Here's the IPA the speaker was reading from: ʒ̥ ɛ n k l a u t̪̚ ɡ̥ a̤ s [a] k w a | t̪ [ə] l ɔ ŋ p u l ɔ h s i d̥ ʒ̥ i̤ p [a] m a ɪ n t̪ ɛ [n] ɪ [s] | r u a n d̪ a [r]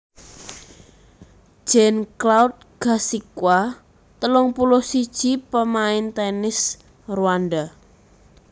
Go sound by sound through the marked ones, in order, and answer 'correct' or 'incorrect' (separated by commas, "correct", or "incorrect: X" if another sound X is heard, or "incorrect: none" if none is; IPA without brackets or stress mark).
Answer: incorrect: i, correct, incorrect: ə, correct, correct, incorrect: none